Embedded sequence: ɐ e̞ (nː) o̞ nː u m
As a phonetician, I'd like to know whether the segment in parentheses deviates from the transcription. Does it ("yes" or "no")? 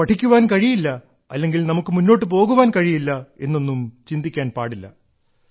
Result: no